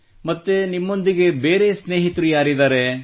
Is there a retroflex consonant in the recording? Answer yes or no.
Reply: no